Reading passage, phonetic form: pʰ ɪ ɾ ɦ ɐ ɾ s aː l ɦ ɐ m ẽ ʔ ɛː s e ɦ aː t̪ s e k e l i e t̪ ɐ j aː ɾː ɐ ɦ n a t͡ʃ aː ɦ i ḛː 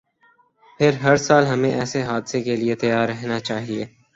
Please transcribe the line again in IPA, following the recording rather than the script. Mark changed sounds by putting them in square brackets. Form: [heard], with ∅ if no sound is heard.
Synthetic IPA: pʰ ɪ ɾ ɦ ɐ ɾ s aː l ɦ ɐ m ẽ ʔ ɛː s e ɦ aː [d̪] s e k e l i e t̪ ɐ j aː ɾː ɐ ɦ n a t͡ʃ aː ɦ i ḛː